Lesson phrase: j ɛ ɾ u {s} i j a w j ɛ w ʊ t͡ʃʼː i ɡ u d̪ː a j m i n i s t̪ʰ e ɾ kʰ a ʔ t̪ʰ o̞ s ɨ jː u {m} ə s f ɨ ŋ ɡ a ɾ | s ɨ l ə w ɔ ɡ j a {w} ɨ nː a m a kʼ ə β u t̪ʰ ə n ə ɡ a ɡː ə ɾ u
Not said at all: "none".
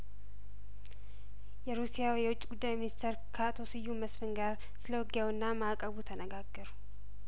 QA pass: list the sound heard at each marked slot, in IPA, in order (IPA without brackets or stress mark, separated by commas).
s, m, w